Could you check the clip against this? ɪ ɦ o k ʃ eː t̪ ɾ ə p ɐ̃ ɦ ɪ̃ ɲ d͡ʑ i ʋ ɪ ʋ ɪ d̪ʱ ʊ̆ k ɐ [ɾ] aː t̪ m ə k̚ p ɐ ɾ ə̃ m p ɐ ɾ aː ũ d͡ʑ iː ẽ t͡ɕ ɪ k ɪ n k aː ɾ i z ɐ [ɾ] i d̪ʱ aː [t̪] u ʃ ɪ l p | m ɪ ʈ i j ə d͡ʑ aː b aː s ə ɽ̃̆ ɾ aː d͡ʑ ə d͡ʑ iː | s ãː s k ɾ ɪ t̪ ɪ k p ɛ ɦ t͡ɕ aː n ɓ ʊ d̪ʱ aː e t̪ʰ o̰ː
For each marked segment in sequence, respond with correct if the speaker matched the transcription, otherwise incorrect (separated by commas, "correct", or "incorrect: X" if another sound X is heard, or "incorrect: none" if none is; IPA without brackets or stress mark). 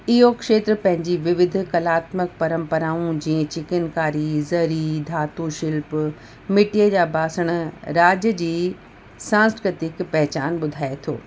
incorrect: l, correct, correct